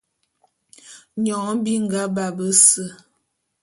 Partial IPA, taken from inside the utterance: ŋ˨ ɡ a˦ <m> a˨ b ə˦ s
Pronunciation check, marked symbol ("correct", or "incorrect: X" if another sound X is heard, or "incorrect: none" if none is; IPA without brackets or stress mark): incorrect: b